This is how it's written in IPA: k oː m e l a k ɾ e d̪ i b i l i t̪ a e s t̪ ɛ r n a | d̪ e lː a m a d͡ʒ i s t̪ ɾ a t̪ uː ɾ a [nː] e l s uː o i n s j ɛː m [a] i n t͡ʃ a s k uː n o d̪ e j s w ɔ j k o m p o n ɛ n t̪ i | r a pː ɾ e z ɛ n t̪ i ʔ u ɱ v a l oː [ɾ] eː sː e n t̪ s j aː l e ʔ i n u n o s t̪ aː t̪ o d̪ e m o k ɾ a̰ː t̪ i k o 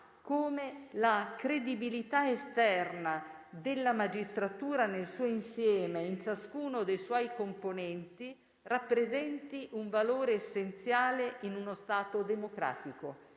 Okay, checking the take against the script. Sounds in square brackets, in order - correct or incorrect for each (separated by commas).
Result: incorrect, incorrect, correct